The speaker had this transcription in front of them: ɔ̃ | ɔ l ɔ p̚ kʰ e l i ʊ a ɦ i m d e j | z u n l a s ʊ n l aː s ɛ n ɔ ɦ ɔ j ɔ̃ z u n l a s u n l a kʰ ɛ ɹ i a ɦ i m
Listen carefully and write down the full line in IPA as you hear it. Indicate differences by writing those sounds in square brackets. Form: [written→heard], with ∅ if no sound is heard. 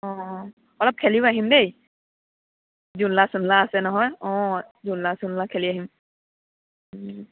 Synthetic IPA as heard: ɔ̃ | ɔ l ɔ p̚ kʰ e l i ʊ a ɦ i m d e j | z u n l a s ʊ n l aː s ɛ n ɔ ɦ ɔ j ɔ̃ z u n l a s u n l a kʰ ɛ [ɹ→l] i a ɦ i m